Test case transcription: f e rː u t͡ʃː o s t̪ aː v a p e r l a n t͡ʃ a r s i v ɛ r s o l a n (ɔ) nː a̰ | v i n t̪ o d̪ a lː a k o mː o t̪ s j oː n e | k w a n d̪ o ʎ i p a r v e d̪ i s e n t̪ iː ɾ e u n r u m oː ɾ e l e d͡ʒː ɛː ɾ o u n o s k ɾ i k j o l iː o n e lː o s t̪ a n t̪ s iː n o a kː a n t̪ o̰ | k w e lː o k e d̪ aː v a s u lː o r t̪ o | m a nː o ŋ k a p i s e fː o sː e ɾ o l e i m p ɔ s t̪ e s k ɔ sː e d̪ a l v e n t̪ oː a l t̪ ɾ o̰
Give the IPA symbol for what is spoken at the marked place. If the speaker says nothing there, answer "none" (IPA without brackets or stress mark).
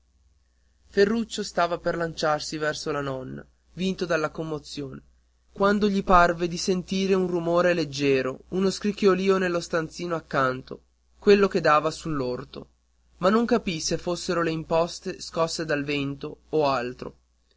ɔ